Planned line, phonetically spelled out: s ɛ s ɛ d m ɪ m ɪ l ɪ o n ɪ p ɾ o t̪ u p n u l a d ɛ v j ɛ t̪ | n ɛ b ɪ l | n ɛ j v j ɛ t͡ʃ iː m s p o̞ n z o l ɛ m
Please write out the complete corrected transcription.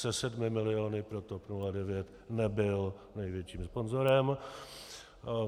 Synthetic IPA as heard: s ɛ s ɛ d m ɪ m ɪ l ɪ o n ɪ p ɾ o t̪ o p n u l a d ɛ v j ɛ t̪ | n ɛ b ɪ l | n ɛ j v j ɛ t͡ʃ iː m s p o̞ n z o ɾ ɛ m